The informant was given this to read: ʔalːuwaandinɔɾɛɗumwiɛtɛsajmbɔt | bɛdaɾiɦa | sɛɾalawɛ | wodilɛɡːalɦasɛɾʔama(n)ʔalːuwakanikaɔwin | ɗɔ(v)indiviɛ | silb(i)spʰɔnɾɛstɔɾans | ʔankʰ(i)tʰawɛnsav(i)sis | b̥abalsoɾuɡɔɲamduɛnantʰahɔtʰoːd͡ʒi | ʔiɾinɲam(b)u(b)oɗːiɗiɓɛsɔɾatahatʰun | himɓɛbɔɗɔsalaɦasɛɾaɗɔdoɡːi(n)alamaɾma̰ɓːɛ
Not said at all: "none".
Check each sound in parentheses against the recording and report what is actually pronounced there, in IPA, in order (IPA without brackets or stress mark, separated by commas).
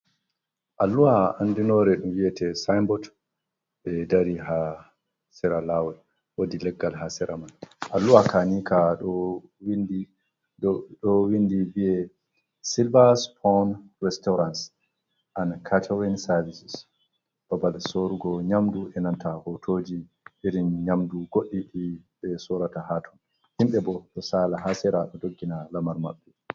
n, w, a, a, i, d, ɡ, n